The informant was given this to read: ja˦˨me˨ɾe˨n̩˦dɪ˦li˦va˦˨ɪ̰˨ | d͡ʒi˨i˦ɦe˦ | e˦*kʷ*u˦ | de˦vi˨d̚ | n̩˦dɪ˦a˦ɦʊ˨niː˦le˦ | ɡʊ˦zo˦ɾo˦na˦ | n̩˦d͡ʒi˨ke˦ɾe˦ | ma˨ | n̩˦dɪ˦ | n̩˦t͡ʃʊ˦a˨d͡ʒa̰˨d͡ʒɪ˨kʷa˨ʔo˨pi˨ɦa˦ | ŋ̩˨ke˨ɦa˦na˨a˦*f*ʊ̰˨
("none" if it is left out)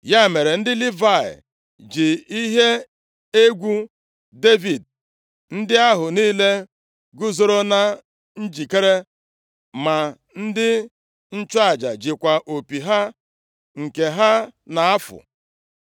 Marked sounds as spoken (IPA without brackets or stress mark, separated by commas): ɡʷ, f